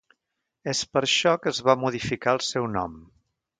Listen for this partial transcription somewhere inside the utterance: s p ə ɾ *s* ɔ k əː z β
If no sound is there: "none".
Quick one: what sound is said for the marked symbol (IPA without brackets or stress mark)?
ʃ